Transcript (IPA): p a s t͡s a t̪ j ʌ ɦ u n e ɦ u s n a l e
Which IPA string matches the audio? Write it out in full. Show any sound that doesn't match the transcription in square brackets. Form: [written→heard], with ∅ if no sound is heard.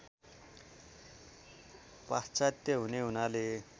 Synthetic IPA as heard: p a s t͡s a t̪ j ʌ ɦ u n e ɦ u [s→∅] n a l e